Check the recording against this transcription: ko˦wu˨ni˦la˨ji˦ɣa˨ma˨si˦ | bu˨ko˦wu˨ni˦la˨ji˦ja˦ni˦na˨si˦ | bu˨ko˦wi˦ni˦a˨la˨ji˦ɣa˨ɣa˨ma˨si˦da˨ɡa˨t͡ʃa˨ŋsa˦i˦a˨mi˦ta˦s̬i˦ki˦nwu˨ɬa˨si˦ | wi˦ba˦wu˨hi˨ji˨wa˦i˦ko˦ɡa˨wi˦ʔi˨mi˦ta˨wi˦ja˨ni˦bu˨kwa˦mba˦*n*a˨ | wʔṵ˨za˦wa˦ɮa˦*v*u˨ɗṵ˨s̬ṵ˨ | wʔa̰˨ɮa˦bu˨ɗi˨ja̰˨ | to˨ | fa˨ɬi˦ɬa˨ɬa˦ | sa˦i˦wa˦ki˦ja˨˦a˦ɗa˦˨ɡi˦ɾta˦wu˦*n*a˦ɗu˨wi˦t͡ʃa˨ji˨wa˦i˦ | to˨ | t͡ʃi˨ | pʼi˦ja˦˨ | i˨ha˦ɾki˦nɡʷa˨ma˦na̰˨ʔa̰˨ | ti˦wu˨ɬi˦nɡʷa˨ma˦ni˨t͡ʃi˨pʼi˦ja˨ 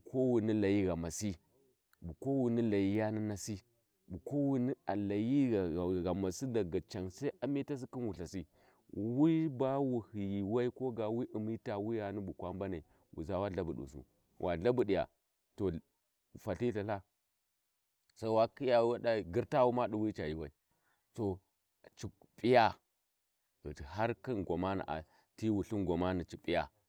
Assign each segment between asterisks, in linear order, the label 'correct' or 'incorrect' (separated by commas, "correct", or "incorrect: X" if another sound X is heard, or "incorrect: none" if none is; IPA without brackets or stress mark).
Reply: correct, incorrect: b, incorrect: m